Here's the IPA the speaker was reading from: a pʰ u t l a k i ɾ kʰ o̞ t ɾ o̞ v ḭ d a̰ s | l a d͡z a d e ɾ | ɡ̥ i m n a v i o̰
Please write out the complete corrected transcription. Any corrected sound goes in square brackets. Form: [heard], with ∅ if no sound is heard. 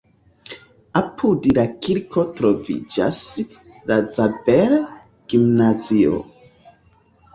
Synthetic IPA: a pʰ u [d] l a k i ɾ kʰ o̞ t ɾ o̞ v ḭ [d͡ʒ] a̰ s | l a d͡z a [b] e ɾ | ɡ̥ i m n a [z] i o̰